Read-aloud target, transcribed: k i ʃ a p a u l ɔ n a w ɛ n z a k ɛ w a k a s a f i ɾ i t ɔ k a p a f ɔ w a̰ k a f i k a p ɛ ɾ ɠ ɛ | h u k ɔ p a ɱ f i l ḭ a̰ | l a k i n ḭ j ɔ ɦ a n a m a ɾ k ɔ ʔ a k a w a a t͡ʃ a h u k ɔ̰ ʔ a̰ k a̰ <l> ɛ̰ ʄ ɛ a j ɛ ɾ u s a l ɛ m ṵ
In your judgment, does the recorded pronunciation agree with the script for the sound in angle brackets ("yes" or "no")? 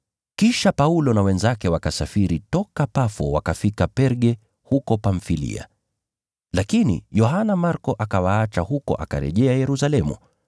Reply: no